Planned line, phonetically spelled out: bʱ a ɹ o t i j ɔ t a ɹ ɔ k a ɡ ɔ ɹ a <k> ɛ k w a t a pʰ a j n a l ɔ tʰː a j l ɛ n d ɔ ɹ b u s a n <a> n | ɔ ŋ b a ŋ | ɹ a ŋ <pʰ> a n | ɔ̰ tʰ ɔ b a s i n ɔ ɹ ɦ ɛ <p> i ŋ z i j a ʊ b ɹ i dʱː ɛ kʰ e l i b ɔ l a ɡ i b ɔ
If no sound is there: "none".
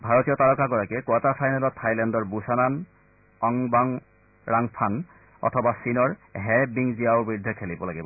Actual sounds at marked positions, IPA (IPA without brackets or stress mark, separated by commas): k, a, pʰ, b